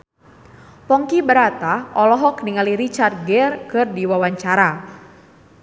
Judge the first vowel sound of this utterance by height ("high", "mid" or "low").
mid